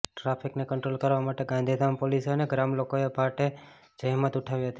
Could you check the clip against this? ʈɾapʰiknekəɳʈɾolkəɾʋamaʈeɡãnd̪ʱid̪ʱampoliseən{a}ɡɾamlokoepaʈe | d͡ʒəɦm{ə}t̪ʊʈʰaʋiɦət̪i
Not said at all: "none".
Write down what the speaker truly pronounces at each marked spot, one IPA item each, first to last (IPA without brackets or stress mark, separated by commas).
e, ə